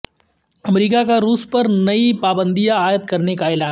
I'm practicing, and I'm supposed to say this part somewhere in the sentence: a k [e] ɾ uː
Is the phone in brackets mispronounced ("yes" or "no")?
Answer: yes